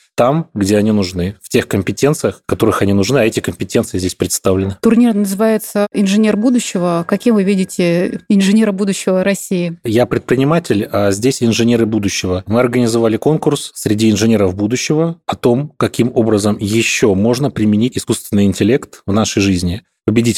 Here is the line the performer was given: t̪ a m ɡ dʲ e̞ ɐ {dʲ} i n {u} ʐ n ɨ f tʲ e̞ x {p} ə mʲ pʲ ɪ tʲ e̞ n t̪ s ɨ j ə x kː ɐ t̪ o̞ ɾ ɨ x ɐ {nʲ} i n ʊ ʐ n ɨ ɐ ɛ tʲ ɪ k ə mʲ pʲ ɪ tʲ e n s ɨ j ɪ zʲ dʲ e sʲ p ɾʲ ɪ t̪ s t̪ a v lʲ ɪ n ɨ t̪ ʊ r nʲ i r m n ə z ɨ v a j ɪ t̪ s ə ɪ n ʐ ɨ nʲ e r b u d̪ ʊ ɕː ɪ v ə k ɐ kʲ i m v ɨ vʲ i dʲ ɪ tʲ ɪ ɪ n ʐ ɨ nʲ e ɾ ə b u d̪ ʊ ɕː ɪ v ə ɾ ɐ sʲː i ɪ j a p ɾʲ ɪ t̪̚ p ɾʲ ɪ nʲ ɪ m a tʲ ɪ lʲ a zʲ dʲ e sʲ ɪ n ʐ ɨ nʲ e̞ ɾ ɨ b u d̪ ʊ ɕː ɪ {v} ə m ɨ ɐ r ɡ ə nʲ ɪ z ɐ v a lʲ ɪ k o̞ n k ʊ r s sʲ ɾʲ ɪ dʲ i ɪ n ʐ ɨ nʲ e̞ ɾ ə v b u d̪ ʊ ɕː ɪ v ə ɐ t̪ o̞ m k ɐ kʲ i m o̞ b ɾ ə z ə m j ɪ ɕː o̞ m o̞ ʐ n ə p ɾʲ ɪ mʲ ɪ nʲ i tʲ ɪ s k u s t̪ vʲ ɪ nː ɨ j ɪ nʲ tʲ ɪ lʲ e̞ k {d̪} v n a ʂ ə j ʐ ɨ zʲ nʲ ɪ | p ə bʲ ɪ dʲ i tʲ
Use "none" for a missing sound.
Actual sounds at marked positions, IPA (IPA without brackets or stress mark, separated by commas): nʲ, ʊ, k, nʲ, v, t̪